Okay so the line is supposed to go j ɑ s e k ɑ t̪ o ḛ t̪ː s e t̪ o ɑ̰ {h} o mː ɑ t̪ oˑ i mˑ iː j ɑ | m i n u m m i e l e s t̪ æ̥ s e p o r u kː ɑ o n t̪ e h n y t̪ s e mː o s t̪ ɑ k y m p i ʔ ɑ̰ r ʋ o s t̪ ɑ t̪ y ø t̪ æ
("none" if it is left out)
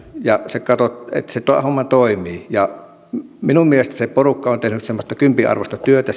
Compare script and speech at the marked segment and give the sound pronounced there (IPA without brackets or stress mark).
h